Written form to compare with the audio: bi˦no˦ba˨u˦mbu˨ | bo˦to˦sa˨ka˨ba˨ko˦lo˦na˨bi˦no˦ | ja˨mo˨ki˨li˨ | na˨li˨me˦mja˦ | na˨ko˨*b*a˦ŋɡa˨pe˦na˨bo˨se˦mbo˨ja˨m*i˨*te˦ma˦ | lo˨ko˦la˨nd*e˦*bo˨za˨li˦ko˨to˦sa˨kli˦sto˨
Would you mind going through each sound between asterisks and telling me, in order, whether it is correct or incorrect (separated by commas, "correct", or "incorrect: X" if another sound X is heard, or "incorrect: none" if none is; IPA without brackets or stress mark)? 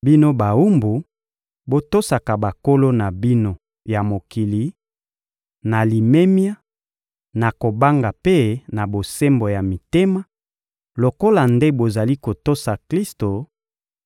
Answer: correct, correct, correct